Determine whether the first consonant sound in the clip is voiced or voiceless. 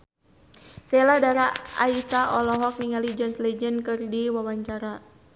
voiceless